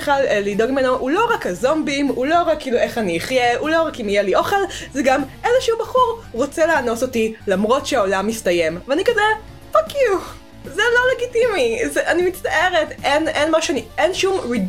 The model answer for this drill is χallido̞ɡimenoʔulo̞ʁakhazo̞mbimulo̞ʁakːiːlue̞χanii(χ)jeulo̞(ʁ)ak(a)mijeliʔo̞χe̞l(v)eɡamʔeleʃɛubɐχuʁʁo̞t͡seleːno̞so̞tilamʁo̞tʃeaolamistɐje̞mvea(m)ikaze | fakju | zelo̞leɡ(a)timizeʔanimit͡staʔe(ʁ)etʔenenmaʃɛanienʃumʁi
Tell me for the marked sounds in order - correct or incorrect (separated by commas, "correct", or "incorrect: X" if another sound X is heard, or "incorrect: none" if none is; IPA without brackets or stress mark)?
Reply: correct, correct, incorrect: i, incorrect: z, incorrect: n, incorrect: i, correct